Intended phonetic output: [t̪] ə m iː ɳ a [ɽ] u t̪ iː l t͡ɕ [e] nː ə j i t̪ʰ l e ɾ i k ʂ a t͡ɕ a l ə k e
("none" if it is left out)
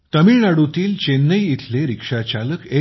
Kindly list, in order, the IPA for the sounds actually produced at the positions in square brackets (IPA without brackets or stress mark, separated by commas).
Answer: t̪, ɽ, e